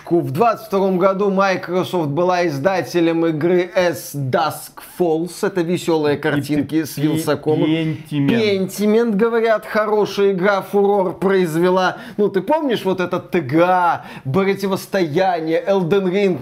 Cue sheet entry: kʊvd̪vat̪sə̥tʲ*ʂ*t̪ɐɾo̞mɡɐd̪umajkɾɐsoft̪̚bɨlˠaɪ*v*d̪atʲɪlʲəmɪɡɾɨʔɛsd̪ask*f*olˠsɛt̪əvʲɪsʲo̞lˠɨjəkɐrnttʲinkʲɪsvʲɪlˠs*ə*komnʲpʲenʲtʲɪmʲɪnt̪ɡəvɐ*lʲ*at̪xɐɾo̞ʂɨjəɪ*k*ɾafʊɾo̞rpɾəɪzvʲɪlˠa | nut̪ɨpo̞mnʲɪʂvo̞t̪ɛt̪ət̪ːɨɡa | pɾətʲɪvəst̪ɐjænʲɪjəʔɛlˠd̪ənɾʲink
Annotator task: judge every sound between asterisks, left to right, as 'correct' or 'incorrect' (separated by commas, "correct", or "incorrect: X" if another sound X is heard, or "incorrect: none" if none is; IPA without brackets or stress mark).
incorrect: f, incorrect: z, correct, incorrect: ɐ, incorrect: ɾʲ, incorrect: ɡ